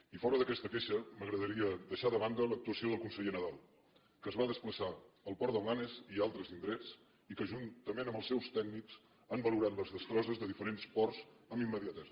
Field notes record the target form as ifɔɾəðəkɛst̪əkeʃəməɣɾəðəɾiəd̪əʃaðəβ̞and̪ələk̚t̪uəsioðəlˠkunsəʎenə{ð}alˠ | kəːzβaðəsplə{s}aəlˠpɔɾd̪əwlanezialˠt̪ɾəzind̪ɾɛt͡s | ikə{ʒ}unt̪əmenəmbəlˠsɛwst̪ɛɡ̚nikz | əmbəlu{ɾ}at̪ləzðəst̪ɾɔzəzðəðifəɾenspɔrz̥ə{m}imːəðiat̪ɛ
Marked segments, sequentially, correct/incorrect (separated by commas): correct, correct, correct, correct, correct